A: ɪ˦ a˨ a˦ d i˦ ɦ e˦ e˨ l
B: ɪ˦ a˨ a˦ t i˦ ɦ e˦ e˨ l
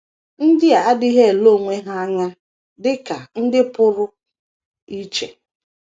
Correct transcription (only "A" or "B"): A